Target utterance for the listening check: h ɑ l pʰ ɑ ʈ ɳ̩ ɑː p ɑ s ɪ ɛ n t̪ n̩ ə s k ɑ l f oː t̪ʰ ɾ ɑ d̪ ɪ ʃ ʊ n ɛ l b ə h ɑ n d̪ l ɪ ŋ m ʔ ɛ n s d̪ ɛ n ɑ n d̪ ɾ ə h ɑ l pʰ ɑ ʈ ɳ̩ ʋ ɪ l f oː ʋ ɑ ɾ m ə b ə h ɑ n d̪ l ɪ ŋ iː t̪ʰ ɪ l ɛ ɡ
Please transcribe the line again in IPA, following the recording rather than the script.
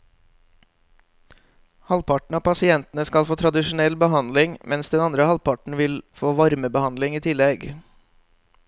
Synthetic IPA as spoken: h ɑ l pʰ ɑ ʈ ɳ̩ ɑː p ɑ s ɪ ɛ n t̪ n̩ ə s k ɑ l f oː t̪ʰ ɾ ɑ d̪ ɪ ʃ ʊ n ɛ l b ə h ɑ n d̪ l ɪ ŋ m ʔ ɛ n s d̪ ɛ n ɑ n d̪ ɾ ə h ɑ l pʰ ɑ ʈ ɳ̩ ʋ ɪ l f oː ʋ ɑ ɾ m ə b ə h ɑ n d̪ l ɪ ŋ iː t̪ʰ ɪ l ɛ ɡ